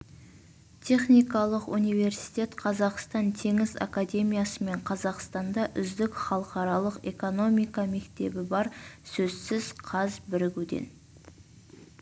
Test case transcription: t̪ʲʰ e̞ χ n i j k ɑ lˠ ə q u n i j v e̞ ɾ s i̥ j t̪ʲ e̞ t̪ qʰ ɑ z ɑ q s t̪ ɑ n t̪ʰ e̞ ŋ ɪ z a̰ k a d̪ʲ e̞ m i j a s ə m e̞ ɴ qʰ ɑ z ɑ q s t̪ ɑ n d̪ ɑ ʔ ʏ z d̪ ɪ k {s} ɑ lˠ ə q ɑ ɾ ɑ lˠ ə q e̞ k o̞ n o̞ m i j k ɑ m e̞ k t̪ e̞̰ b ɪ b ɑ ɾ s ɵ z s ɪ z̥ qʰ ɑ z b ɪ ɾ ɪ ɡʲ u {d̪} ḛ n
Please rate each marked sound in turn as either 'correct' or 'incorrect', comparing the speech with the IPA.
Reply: incorrect, correct

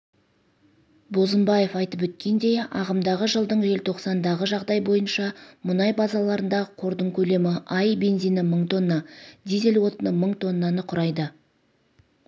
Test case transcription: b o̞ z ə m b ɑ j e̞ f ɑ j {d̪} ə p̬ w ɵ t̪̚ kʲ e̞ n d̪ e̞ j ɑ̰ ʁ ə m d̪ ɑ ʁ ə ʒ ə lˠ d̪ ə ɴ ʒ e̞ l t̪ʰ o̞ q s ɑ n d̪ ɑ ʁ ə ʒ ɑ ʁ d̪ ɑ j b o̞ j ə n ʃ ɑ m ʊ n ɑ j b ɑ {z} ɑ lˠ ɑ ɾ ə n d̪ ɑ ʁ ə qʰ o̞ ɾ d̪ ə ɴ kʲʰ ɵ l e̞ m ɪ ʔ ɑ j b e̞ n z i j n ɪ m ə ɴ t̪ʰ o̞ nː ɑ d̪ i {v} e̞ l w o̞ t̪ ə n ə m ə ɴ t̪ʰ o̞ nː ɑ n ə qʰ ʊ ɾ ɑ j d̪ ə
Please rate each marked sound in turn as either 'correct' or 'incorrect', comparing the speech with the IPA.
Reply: incorrect, correct, incorrect

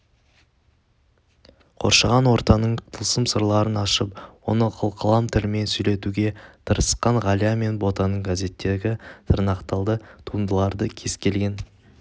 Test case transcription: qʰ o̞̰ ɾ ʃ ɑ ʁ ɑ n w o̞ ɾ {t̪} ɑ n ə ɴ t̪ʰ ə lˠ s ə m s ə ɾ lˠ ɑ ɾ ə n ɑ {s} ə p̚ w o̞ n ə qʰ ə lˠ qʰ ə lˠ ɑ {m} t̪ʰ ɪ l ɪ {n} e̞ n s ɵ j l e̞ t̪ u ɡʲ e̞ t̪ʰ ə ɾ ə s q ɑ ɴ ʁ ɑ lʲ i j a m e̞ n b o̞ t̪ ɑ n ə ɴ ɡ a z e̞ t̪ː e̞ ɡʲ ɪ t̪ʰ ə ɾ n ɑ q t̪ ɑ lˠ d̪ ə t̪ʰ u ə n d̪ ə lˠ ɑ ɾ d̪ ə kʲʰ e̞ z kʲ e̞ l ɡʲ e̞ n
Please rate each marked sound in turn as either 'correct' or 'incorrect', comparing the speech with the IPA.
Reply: correct, incorrect, correct, incorrect

